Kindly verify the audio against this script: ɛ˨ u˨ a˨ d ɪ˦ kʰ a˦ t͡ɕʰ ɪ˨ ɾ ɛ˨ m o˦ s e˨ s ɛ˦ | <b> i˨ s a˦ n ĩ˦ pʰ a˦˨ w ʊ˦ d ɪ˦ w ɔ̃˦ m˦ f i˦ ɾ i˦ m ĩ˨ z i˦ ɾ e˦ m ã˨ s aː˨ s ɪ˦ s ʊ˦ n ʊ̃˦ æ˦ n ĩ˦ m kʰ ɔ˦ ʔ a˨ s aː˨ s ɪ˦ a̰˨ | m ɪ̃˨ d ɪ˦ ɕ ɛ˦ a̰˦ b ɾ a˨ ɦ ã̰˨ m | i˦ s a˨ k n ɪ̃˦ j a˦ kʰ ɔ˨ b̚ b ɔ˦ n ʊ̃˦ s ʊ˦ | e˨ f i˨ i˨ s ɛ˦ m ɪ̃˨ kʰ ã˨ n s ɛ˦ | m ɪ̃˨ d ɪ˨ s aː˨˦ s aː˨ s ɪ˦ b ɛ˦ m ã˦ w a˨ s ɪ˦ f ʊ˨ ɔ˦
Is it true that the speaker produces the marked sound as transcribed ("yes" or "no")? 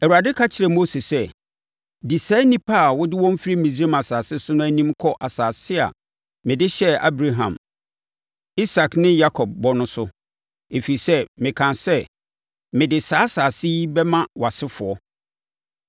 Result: no